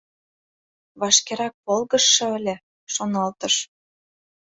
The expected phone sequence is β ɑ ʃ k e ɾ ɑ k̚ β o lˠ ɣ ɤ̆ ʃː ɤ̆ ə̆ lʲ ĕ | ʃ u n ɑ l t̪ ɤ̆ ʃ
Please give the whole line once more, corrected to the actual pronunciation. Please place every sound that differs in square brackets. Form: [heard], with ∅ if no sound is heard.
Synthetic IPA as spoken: β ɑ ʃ k e ɾ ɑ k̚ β o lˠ ɣ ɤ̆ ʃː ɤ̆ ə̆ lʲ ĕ | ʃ [o] n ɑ l t̪ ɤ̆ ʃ